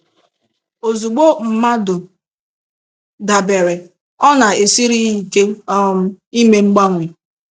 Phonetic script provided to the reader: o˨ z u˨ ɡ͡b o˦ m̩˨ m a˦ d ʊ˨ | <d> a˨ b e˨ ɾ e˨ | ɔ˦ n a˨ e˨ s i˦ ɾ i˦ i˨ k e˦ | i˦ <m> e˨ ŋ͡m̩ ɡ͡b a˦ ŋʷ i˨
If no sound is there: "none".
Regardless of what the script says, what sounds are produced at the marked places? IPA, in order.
d, m

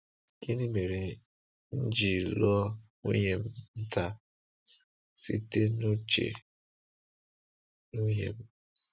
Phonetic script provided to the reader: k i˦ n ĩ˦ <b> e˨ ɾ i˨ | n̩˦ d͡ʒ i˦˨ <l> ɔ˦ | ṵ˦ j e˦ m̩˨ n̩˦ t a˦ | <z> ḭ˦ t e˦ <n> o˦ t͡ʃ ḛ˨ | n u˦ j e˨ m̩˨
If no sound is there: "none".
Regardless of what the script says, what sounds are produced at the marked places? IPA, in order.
m, l, s, n

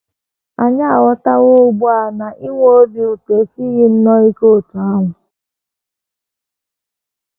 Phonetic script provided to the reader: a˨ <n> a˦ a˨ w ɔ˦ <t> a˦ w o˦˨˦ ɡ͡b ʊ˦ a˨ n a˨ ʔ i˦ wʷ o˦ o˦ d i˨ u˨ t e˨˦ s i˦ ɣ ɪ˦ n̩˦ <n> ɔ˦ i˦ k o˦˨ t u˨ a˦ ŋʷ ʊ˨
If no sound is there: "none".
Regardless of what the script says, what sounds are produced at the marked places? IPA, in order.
ɲ, t, n

